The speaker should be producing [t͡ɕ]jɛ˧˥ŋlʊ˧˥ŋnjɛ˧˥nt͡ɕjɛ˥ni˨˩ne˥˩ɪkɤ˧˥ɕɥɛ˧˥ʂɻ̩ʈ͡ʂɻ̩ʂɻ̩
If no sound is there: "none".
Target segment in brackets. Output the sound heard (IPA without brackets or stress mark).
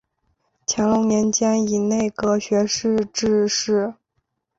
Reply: t͡ɕʰ